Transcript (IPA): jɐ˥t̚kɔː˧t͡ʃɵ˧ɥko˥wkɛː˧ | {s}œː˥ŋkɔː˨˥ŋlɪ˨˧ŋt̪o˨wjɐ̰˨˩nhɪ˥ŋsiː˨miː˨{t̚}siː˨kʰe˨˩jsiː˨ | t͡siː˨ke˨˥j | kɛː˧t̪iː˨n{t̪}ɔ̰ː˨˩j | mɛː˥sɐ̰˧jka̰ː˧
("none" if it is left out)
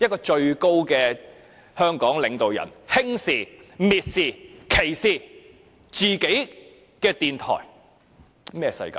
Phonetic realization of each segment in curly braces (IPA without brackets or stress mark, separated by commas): h, t̚, t̪ʰ